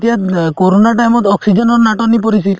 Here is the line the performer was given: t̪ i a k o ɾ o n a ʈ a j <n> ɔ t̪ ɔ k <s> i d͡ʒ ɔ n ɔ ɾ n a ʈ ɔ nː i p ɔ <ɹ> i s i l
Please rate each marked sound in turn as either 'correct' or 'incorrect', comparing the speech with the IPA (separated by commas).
incorrect, correct, incorrect